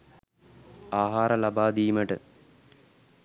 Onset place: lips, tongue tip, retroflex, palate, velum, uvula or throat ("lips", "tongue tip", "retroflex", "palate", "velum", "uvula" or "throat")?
throat